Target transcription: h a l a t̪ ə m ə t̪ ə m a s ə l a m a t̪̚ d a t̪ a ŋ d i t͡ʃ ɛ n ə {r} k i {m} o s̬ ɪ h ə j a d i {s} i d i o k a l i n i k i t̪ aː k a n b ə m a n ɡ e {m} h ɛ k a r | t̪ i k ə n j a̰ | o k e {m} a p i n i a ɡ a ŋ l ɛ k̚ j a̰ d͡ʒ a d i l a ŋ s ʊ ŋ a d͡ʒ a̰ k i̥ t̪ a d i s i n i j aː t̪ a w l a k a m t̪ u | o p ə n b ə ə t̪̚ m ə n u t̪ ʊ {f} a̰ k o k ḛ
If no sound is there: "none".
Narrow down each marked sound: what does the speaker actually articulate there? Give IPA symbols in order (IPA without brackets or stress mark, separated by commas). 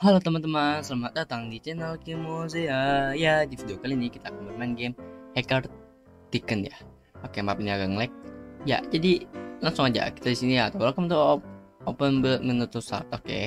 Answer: l, m, f, m, m, s